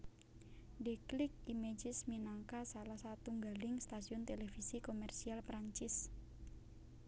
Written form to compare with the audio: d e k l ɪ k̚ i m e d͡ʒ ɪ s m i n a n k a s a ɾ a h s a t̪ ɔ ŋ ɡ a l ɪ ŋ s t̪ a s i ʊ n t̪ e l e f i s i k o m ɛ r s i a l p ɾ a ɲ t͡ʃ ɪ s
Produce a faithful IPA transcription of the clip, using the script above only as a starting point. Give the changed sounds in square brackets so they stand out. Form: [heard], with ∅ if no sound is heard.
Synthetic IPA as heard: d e k l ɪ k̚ i m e d͡ʒ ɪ s m i n a [ŋ] k a s a [l] a h s a t̪ [u] ŋ ɡ a l ɪ ŋ s t̪ a s i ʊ n t̪ e l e f i s i k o m ɛ r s i a l p ɾ a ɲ t͡ʃ ɪ s